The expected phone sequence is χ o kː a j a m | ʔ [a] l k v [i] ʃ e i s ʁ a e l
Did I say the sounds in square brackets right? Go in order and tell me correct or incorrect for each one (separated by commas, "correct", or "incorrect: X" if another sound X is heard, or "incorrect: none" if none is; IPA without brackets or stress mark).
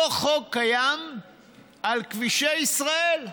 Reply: correct, correct